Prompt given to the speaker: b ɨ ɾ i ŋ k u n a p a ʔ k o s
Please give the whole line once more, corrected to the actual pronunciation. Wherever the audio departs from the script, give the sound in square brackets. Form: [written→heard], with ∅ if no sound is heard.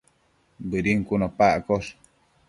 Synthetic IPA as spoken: b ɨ ɾ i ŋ k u n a p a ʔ k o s